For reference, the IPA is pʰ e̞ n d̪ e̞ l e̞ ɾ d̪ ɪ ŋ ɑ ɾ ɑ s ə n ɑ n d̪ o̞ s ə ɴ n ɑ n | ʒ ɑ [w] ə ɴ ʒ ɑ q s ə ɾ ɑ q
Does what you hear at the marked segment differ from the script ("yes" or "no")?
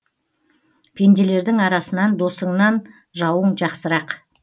no